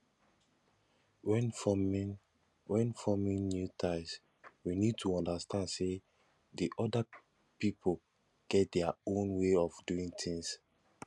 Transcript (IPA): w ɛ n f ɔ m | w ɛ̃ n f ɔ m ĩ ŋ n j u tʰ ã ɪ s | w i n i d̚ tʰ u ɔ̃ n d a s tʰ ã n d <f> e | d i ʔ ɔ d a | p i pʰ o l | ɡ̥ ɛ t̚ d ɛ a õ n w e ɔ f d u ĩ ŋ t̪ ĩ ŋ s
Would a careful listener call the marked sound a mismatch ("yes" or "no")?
yes